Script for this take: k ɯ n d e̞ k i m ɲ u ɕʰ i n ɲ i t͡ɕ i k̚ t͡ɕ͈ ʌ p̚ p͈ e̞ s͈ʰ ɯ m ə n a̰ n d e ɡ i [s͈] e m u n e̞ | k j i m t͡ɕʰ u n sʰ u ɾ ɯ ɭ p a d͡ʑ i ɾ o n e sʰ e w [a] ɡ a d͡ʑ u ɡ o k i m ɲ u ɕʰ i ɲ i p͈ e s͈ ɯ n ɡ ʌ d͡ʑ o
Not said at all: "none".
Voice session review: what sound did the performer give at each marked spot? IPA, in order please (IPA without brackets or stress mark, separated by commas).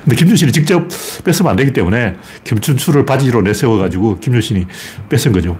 t͈, ʌ